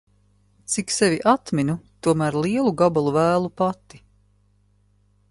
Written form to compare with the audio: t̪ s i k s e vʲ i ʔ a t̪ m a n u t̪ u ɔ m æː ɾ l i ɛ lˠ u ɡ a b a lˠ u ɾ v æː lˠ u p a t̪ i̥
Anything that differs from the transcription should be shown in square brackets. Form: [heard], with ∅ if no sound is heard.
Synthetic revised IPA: t̪ s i k s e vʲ i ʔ a t̪ m [i] n u t̪ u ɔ m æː ɾ l i ɛ lˠ u ɡ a b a lˠ u [∅] v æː lˠ u p a t̪ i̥